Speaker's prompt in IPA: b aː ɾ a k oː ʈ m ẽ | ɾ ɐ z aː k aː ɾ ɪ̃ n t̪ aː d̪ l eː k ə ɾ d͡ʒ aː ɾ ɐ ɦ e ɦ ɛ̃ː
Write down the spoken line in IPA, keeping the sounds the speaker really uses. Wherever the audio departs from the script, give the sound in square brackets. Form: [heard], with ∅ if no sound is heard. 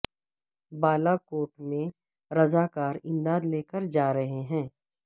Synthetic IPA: b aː [l] a k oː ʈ m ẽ | ɾ ɐ z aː k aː ɾ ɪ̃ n [d̪] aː d̪ l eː k ə ɾ d͡ʒ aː ɾ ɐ ɦ e ɦ ɛ̃ː